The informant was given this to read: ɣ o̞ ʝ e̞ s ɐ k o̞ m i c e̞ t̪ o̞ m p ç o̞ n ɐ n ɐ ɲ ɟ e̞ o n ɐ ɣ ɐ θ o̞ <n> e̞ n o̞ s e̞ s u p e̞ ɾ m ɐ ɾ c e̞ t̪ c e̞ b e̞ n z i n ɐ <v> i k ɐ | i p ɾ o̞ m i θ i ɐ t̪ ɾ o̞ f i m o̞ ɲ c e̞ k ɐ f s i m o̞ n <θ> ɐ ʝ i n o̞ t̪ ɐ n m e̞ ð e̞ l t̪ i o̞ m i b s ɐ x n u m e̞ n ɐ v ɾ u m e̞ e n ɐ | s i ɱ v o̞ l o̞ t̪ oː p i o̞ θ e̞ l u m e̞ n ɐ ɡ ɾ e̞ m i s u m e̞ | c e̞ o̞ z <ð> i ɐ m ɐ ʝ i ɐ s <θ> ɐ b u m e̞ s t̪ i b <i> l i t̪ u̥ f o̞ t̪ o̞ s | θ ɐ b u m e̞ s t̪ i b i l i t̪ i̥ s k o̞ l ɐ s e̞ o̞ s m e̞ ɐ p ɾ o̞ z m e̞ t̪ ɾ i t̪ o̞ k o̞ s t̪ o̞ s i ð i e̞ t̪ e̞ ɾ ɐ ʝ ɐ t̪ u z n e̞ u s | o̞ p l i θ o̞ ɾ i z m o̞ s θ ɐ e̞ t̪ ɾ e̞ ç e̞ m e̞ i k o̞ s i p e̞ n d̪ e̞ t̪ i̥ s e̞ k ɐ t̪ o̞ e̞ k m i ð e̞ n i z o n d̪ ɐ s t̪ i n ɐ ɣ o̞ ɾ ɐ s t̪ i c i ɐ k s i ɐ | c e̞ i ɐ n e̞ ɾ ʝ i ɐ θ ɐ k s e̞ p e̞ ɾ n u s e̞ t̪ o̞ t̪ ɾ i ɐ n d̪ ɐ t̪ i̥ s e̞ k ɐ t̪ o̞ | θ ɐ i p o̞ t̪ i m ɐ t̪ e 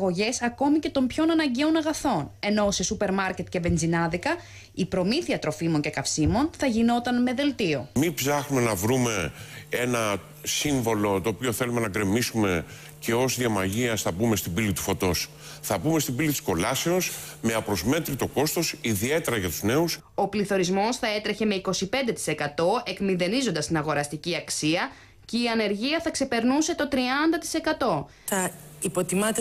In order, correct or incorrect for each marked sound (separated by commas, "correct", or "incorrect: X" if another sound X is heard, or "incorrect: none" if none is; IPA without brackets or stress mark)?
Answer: correct, incorrect: ð, correct, correct, correct, correct